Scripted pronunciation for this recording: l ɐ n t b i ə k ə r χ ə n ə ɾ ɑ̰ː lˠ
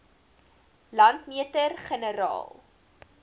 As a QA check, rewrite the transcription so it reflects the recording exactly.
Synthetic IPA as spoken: l ɐ n t m i ə t ə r χ ə n ə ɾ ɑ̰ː lˠ